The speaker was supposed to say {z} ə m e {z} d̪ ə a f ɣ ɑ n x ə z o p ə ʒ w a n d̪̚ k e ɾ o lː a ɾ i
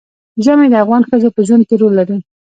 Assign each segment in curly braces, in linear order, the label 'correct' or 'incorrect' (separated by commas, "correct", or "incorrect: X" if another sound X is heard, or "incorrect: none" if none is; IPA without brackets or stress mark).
incorrect: ʒ, incorrect: none